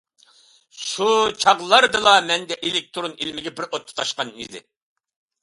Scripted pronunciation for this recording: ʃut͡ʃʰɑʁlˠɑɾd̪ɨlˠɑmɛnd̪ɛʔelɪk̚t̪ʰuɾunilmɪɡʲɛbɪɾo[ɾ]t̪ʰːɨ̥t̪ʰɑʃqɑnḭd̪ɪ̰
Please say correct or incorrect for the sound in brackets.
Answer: incorrect